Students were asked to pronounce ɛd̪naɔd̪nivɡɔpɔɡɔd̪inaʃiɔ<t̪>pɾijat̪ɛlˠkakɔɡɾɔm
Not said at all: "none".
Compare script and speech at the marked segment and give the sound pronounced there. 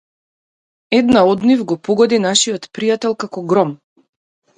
t̪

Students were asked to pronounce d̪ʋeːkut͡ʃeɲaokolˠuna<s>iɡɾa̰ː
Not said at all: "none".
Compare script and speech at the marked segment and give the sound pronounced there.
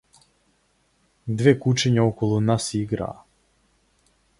s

